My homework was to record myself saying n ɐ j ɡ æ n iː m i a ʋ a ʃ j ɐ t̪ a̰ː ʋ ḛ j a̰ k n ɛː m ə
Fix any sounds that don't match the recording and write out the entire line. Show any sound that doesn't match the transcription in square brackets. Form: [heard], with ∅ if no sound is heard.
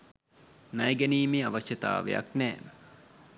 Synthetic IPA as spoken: n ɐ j ɡ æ n iː m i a ʋ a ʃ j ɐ t̪ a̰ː ʋ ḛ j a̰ k n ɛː m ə

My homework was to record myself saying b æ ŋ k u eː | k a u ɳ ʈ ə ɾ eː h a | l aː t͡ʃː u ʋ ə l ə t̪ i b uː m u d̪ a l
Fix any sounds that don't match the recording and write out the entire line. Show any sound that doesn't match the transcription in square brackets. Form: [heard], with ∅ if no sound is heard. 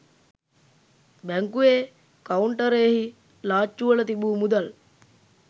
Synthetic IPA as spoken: b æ ŋ k u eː | k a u ɳ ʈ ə ɾ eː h [i] | l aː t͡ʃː u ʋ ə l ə t̪ i b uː m u d̪ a l

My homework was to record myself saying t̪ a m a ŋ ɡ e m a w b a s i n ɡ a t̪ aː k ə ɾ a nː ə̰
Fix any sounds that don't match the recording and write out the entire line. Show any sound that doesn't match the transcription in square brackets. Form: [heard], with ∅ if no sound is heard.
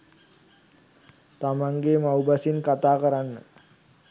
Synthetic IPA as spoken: t̪ a m a ŋ ɡ e m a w b a s i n [k] a t̪ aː k ə ɾ a nː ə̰

